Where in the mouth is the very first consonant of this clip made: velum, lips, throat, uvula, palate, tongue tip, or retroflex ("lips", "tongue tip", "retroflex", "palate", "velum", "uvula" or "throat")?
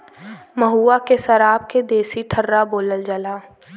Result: lips